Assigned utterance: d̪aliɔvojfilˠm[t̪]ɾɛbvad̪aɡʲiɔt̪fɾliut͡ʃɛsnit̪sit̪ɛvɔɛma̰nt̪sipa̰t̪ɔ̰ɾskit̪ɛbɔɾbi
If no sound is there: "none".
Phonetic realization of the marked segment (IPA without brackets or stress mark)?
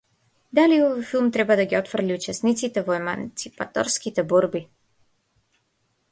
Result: t̪